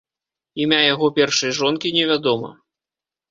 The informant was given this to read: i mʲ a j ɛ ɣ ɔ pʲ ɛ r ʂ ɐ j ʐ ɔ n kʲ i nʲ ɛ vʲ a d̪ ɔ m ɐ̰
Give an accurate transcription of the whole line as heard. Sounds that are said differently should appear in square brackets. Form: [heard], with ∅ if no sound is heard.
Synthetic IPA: i mʲ a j [a] ɣ ɔ pʲ ɛ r ʂ ɐ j ʐ ɔ n kʲ i nʲ ɛ vʲ a d̪ ɔ m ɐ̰